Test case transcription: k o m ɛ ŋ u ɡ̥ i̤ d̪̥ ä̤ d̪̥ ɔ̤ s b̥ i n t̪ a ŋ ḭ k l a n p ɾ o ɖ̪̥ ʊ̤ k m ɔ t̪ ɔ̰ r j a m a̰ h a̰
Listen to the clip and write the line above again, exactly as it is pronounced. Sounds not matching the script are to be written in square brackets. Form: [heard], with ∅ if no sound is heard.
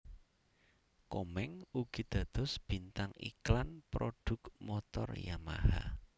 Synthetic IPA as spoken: k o m ɛ ŋ u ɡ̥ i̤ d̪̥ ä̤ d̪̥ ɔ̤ s b̥ i n t̪ a ŋ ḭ k l a n p ɾ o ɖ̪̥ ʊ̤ k m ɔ t̪ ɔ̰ r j a m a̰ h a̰